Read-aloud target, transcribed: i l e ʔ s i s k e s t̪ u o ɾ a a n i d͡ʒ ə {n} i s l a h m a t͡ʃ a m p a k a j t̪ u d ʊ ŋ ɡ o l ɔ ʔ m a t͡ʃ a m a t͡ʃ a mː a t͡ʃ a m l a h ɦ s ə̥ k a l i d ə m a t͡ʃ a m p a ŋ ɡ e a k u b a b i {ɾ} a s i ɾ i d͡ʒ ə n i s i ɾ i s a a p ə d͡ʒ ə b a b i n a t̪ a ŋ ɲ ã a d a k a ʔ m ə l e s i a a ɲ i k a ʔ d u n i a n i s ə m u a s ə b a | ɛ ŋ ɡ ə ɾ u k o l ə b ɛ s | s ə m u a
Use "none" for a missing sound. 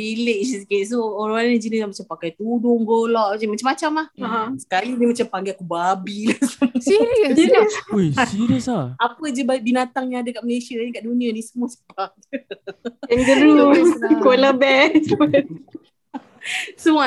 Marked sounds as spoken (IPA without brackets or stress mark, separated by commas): n, l